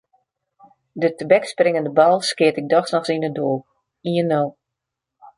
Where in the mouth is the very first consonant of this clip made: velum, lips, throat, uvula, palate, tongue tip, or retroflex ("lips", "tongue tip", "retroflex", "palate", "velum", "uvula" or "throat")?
tongue tip